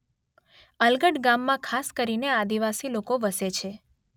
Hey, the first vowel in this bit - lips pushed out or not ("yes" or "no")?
no